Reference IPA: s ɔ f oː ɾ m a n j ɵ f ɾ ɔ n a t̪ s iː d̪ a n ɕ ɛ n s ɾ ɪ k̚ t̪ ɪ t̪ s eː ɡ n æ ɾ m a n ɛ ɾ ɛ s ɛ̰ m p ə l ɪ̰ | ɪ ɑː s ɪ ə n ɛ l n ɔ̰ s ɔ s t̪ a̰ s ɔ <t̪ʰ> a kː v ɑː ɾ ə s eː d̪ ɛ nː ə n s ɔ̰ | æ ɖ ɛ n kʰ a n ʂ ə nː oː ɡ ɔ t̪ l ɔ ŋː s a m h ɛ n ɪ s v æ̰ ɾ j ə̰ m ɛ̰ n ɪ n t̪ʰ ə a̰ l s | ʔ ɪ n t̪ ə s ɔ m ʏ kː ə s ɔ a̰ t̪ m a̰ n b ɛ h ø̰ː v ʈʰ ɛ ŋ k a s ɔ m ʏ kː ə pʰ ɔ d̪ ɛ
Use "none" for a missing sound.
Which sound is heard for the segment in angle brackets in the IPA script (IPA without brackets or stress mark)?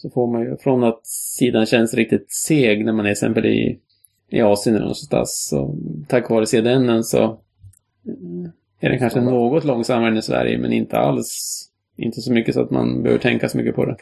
t̪ʰ